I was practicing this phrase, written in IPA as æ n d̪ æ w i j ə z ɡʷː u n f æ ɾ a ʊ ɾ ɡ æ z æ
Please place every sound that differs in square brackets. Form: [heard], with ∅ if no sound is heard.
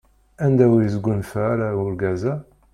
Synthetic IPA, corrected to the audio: æ n d̪ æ w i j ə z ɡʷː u n f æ ɾ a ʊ ɾ ɡ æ z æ